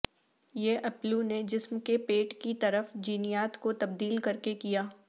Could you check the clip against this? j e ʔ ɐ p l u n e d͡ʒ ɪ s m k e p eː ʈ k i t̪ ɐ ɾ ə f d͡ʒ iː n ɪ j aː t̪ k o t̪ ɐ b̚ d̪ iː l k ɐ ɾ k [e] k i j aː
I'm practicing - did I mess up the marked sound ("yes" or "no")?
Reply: no